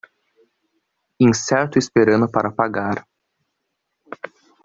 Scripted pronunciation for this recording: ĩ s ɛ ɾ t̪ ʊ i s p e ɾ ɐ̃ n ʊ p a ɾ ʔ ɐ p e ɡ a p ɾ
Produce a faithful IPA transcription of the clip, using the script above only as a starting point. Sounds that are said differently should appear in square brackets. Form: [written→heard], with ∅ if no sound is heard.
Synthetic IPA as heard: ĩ s ɛ ɾ t̪ ʊ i s p e ɾ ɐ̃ n ʊ p a ɾ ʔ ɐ p [e→a] ɡ a [p→∅] ɾ